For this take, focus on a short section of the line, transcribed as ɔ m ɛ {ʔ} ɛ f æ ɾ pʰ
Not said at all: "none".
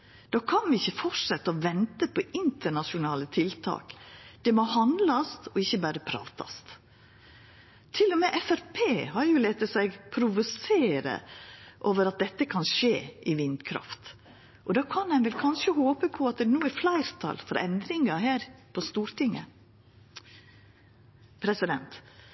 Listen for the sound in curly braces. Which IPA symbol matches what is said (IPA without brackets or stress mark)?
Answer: ʔ